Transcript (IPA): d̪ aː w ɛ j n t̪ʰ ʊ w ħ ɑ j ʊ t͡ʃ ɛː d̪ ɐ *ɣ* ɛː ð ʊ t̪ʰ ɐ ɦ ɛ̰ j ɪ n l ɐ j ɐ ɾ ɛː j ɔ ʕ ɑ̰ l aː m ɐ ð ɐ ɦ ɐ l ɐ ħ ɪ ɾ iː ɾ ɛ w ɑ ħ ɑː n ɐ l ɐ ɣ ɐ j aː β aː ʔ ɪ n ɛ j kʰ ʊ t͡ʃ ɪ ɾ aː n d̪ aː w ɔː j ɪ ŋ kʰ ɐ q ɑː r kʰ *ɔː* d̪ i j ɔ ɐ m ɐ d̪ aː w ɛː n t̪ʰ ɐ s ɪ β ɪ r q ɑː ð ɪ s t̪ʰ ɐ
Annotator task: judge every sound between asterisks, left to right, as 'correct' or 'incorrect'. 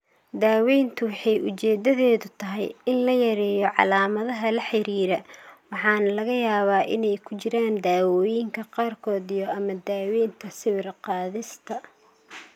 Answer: incorrect: ð, correct

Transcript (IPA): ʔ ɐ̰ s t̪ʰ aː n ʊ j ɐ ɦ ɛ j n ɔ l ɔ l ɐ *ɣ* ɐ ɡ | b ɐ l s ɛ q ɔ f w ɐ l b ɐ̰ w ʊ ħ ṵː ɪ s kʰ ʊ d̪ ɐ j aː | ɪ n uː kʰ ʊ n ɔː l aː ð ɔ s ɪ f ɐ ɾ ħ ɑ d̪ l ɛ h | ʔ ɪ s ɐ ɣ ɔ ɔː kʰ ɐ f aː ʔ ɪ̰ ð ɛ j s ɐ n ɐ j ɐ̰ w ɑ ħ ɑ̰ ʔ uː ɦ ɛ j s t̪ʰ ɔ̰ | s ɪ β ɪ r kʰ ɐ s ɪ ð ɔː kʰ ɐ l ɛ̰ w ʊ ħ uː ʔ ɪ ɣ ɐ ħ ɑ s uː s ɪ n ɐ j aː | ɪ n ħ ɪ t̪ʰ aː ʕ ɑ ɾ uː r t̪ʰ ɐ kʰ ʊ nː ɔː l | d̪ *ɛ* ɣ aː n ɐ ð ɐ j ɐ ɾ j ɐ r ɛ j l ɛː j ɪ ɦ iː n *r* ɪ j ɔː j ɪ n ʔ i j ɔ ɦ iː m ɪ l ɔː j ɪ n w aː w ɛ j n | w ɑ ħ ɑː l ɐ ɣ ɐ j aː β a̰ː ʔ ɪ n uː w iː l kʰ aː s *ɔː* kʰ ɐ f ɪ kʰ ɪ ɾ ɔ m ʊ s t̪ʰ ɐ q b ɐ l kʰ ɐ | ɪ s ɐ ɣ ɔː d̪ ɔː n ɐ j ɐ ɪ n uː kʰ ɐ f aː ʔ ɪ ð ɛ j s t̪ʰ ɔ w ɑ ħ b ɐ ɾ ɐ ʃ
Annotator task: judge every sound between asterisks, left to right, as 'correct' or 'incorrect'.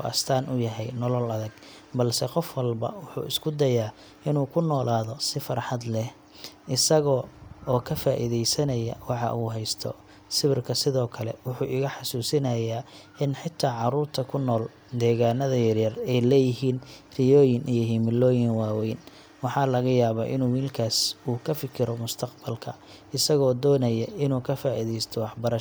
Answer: incorrect: ð, incorrect: ɛː, correct, incorrect: uː

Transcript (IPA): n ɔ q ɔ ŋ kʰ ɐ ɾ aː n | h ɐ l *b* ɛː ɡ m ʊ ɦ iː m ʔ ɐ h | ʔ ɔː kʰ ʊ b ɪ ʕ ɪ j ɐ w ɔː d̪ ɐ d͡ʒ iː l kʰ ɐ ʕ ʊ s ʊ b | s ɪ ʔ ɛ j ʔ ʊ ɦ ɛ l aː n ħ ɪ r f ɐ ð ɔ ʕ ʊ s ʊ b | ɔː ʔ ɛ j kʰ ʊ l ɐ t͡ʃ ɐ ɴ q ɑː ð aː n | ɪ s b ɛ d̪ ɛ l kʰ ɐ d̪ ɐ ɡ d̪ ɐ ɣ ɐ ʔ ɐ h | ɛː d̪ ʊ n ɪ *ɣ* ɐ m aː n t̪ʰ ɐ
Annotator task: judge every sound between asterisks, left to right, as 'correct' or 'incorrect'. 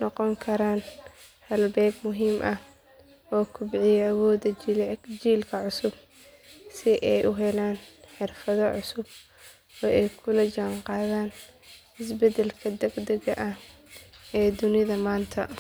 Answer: correct, incorrect: ð

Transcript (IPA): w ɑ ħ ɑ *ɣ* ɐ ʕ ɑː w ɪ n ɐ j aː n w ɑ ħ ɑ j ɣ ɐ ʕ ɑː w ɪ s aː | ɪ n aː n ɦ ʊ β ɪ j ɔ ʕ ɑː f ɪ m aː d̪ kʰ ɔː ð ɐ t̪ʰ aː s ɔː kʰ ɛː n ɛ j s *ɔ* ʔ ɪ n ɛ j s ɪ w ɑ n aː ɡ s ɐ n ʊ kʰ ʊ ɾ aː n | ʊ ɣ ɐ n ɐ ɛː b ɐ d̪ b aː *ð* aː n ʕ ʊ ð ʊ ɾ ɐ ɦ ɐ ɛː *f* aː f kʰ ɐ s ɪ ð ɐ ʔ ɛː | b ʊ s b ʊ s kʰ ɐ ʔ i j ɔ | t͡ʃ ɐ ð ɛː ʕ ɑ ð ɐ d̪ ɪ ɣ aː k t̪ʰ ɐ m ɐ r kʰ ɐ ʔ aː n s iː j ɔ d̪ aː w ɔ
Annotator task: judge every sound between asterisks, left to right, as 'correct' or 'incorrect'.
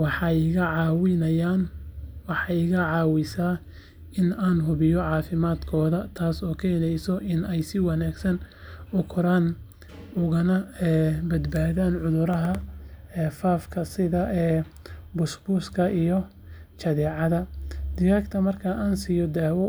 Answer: correct, correct, correct, correct

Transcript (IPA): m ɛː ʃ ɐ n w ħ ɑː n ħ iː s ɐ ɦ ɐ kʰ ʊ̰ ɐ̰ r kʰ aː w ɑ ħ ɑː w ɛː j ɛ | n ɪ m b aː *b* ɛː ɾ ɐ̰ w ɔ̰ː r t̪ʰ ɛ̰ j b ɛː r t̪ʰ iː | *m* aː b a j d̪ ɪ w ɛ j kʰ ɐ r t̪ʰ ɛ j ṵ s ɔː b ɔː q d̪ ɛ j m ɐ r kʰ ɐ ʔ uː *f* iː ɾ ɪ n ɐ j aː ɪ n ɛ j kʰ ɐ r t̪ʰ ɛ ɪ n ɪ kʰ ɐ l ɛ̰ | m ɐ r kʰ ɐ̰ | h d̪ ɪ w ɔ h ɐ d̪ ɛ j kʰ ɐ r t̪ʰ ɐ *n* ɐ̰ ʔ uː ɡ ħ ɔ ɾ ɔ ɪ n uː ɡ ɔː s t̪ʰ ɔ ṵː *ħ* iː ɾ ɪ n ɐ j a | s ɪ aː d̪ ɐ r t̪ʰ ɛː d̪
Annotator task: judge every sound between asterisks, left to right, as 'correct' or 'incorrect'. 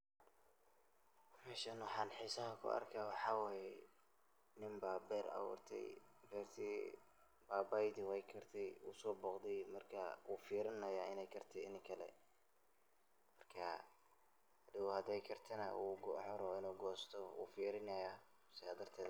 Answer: correct, incorrect: b, correct, correct, incorrect: f

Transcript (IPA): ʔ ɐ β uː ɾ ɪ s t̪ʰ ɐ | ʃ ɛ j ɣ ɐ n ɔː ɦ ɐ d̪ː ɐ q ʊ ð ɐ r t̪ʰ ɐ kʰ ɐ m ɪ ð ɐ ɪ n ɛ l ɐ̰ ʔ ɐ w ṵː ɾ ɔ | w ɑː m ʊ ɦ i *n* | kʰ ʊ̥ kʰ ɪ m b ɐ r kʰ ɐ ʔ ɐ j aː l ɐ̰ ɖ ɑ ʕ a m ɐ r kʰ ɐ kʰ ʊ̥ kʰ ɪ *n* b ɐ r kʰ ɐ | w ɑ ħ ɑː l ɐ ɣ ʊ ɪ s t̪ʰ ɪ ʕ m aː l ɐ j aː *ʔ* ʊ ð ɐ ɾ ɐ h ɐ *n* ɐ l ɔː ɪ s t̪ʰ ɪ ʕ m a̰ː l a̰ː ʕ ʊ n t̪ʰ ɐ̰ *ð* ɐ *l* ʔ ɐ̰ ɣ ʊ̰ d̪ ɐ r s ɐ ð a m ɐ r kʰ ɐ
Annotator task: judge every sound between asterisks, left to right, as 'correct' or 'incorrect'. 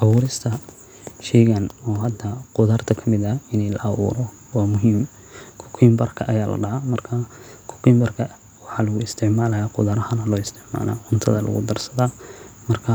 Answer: incorrect: m, incorrect: m, incorrect: q, correct, correct, correct

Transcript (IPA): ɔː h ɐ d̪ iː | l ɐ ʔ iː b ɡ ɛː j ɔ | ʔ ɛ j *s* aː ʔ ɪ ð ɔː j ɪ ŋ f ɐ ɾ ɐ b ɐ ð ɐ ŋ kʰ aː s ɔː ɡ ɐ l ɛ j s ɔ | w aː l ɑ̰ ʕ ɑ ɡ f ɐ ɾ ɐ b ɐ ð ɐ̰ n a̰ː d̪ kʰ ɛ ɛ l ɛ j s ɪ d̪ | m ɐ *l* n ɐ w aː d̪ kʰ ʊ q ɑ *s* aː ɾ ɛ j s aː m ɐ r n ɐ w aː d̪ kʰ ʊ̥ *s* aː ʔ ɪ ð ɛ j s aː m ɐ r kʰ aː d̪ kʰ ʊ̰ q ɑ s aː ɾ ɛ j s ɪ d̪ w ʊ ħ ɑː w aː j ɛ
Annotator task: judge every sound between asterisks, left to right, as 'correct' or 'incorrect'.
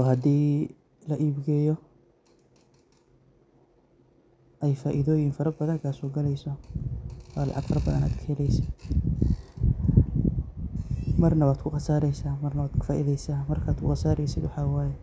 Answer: incorrect: f, incorrect: r, correct, incorrect: f

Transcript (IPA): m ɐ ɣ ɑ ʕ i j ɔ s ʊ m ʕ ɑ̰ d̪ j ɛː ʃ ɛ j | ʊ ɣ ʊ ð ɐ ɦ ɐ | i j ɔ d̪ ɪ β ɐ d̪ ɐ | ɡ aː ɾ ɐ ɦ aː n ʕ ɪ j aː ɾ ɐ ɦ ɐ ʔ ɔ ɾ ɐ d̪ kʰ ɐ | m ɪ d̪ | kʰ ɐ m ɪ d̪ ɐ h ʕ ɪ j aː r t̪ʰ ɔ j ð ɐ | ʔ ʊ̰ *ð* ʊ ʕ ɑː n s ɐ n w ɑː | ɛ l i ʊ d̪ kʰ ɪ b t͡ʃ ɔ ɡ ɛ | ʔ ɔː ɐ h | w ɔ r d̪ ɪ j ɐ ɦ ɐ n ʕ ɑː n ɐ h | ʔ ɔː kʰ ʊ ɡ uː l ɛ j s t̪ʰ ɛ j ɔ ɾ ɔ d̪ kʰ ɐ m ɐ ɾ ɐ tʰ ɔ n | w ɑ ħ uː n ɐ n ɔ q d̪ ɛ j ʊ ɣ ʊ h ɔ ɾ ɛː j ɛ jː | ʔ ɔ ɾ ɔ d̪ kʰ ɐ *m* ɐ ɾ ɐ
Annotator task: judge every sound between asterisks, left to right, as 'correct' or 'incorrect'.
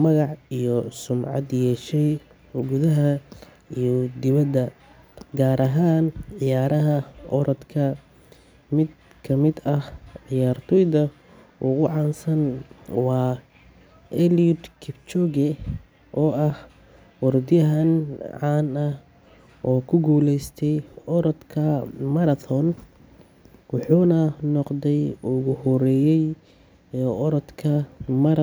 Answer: incorrect: ɣ, correct

